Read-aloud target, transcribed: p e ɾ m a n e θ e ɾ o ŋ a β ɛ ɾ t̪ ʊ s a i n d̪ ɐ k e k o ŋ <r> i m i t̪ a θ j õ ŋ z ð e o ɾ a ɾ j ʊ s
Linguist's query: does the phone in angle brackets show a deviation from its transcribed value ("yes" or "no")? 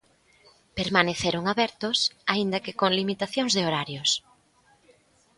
yes